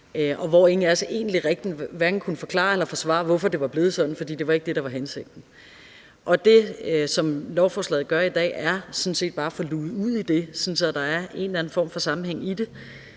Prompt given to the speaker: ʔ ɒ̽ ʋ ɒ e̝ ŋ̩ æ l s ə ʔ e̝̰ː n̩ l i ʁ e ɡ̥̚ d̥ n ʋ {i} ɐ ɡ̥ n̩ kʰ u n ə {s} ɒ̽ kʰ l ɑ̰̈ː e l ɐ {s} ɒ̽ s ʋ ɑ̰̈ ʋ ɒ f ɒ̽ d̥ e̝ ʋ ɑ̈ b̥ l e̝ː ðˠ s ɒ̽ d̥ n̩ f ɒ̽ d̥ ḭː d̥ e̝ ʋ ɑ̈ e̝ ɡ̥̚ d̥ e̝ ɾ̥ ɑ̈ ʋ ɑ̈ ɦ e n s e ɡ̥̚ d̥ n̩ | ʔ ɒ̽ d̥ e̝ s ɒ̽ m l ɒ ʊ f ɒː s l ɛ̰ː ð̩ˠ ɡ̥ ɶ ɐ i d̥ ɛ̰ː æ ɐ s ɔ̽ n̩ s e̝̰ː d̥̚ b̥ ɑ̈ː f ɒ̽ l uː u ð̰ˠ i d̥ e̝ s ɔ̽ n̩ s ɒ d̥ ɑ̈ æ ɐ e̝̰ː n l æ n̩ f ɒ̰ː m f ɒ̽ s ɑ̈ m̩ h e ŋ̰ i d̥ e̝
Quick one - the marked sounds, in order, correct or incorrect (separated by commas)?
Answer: incorrect, incorrect, incorrect